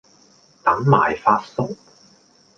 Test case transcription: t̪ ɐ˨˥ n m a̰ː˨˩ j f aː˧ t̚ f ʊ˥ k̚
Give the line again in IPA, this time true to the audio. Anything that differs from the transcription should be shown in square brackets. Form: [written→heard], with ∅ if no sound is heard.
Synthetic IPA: t̪ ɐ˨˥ [n→ŋ] m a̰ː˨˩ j f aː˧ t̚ [f→s] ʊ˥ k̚